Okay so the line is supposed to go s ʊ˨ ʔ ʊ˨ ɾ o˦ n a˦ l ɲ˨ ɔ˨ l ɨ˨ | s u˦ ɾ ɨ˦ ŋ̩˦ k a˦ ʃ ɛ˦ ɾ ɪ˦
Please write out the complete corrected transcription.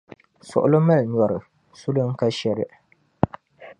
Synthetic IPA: s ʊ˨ ʔ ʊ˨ l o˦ m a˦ l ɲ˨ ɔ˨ ɾ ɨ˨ | s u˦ l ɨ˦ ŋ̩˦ k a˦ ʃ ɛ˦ ɾ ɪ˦